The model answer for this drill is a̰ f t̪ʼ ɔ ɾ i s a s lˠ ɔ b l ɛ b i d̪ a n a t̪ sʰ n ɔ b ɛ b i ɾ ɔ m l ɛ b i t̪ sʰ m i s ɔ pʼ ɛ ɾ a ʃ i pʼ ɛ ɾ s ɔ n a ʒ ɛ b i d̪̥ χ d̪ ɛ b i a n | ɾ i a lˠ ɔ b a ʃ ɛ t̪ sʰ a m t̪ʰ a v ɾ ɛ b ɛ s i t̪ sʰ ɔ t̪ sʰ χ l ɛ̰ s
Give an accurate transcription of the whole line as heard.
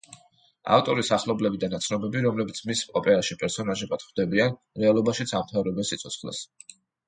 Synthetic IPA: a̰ f t̪ʼ ɔ ɾ i s a χ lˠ ɔ b l ɛ b i d̪ a n a t̪ sʰ n ɔ b ɛ b i ɾ ɔ m l ɛ b i t̪ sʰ m i s ɔ pʼ ɛ ɾ a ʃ i pʼ ɛ ɾ s ɔ n a ʒ ɛ b a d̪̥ χ d̪ ɛ b i a n | ɾ ɛ a lˠ ɔ b a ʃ i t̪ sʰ a m t̪ʰ a v ɾ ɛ b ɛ s i t̪ sʰ ɔ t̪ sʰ χ l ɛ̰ s